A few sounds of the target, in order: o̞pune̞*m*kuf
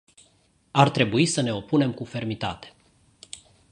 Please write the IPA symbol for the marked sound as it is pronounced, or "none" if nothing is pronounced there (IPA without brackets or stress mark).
m